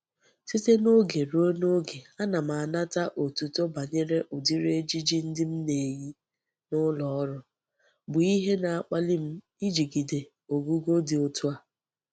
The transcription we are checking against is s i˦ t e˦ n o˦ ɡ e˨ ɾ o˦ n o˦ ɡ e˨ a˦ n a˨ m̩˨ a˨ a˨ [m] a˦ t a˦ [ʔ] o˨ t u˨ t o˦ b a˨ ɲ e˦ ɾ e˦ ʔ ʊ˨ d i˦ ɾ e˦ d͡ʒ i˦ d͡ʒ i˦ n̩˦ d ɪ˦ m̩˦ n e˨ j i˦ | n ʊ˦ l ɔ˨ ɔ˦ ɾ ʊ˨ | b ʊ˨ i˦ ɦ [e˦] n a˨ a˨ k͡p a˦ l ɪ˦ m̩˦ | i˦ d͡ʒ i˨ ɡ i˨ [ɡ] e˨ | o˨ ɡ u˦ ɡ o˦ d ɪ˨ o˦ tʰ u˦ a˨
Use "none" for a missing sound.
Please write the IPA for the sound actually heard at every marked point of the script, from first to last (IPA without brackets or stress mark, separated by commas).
n, ʔ, e˦, d